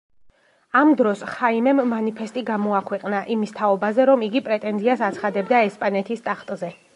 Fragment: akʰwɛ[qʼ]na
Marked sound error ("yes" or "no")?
no